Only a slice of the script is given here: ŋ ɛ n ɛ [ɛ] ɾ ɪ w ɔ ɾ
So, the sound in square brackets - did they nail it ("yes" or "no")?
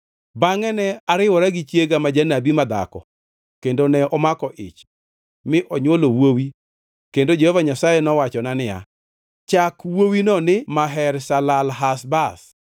no